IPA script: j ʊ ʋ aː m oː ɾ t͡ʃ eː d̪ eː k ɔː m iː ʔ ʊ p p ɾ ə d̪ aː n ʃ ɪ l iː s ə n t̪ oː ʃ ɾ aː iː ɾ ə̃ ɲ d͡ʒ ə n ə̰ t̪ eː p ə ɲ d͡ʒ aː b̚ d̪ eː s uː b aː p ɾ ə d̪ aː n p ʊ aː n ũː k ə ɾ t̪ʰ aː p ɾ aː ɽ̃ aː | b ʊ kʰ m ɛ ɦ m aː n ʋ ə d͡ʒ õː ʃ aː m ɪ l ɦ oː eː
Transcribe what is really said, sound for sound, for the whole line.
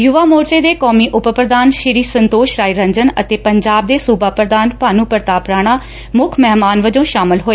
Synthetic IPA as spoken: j ʊ ʋ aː m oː ɾ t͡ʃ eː d̪ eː k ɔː m iː ʔ ʊ p p ɾ ə d̪ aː n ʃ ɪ ɾ iː s ə n t̪ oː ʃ ɾ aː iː ɾ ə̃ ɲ d͡ʒ ə n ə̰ t̪ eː p ə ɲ d͡ʒ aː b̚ d̪ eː s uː b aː p ɾ ə d̪ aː n p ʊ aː n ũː p ə ɾ t̪ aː p ɾ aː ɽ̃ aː | m ʊ kʰ m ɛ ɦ m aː n ʋ ə d͡ʒ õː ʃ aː m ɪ l ɦ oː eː

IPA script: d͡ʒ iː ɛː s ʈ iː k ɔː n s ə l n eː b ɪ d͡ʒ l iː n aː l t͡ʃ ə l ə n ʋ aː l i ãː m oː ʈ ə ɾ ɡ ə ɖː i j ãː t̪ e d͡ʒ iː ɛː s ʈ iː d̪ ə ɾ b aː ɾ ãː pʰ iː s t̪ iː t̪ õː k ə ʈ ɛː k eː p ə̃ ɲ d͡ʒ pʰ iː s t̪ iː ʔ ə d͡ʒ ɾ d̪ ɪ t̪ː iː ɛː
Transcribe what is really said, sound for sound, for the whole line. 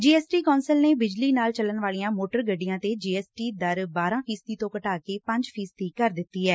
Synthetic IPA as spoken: d͡ʒ iː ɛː s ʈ iː k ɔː n s ə l n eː b ɪ d͡ʒ l iː n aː l t͡ʃ ə l ə n ʋ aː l i ãː m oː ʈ ə ɾ ɡ ə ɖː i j ãː t̪ e d͡ʒ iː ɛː s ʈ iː d̪ ə ɾ b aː ɾ ãː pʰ iː s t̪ iː t̪ õː k ə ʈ aː k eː p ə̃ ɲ d͡ʒ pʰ iː s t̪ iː k ə ɾ d̪ ɪ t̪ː iː ɛː

